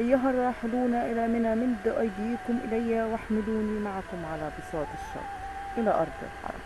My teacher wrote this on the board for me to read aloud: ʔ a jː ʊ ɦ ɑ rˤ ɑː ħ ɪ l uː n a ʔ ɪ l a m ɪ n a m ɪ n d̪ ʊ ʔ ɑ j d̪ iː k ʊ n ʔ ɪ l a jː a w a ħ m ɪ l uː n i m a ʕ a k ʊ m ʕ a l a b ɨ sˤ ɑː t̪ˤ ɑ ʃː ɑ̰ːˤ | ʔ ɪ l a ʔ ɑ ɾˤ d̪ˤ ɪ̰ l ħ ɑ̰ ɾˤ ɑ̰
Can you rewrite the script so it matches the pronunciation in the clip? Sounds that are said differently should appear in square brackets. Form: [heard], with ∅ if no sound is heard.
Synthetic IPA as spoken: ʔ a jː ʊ ɦ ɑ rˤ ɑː ħ ɪ l uː n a ʔ ɪ l a m ɪ n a m ɪ n d̪ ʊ ʔ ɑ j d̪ iː k ʊ [m] ʔ ɪ l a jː a w a ħ m ɪ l uː n i m a ʕ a k ʊ m ʕ a l a b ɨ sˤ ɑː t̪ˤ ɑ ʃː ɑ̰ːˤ | ʔ ɪ l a ʔ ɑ ɾˤ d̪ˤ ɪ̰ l ħ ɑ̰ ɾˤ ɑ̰